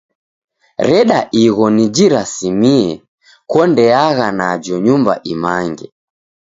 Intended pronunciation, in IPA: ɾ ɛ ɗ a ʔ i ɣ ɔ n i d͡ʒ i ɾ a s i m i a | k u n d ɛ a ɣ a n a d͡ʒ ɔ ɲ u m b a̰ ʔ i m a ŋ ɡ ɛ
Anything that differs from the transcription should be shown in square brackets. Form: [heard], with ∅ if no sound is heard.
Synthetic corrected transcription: ɾ ɛ ɗ a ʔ i ɣ ɔ n i d͡ʒ i ɾ a s i m i [ɛ] | k [ɔ] n d ɛ a ɣ a n a d͡ʒ ɔ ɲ u m b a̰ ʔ i m a ŋ ɡ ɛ